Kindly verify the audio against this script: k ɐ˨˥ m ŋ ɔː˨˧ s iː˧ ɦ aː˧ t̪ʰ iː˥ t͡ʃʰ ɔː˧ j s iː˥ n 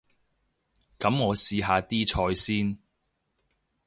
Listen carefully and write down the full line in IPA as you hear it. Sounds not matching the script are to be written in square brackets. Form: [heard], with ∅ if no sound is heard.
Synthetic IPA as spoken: k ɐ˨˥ m ŋ ɔː˨˧ s iː˧ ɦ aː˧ [t̪] iː˥ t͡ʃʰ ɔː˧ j s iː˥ n